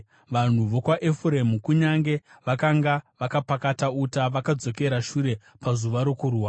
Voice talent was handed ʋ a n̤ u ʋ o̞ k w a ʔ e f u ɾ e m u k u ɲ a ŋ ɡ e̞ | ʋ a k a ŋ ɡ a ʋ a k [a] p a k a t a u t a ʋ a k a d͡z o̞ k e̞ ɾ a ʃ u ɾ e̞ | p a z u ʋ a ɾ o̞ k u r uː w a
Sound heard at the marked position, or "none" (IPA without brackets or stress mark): a